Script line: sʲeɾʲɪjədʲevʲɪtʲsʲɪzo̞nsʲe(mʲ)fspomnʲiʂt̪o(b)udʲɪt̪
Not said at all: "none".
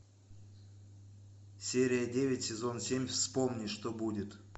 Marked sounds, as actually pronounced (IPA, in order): mʲ, b

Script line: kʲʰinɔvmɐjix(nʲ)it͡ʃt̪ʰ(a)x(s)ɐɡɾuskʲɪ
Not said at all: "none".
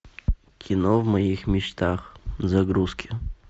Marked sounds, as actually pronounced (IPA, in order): mʲ, a, z

